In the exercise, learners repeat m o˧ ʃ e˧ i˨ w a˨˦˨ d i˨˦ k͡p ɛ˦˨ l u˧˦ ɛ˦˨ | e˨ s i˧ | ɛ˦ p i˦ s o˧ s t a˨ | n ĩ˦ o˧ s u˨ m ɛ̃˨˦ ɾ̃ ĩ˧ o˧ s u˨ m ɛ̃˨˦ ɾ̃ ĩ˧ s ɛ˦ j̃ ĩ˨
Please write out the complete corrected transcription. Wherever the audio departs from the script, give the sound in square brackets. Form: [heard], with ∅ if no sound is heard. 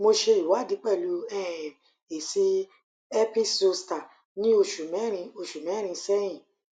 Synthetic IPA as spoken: m o˧ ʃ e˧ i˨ w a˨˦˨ d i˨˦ k͡p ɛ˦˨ l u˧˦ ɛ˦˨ | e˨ s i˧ | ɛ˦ p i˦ s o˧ s t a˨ | n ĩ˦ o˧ [ʃ] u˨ m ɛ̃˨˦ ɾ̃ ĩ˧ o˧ [ʃ] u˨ m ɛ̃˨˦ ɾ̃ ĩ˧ s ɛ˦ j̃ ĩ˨